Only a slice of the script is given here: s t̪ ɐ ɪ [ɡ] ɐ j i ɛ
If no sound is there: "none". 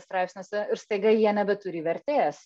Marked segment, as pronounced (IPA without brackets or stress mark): ɡ